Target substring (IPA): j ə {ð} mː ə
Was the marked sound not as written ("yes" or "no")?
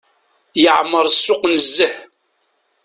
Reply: yes